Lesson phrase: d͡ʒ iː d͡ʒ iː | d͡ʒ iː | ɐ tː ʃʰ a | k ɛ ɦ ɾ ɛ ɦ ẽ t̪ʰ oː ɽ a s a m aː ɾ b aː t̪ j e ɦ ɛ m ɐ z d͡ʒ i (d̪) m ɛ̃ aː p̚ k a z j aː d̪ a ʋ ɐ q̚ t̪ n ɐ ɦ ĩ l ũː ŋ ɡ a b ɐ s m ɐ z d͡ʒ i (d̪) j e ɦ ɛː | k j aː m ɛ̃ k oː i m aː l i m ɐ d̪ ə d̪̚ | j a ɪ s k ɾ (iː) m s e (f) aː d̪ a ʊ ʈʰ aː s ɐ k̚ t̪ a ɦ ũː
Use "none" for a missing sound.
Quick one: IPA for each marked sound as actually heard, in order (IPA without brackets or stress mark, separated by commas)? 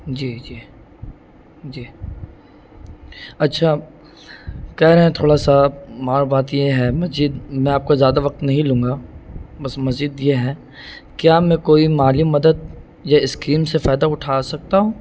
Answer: d̪, d̪, iː, f